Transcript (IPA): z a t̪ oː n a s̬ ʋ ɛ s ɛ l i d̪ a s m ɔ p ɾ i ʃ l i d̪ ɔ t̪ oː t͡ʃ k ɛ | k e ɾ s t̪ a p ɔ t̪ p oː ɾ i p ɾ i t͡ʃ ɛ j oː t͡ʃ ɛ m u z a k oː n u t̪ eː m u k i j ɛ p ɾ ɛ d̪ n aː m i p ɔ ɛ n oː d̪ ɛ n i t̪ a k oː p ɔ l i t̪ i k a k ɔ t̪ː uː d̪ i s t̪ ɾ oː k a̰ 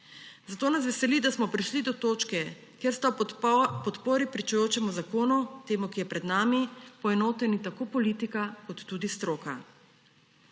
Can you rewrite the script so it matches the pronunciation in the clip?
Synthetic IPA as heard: z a t̪ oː n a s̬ ʋ ɛ s ɛ l i d̪ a s m ɔ p ɾ i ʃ l i d̪ ɔ t̪ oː t͡ʃ k ɛ | k e ɾ s t̪ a p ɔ t̪ p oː ɾ i p ɾ i t͡ʃ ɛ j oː t͡ʃ ɛ m u z a k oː n u t̪ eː m u k i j ɛ p ɾ ɛ d̪ n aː m i p ɔ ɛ n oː t̪ ɛ n i t̪ a k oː p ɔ l i t̪ i k a k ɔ t̪ː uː d̪ i s t̪ ɾ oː k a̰